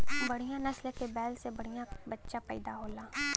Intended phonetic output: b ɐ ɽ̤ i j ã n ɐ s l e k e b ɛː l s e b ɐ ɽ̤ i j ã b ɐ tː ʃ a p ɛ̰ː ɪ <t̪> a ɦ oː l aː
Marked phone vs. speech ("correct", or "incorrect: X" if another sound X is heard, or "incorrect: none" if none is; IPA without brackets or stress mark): incorrect: d̪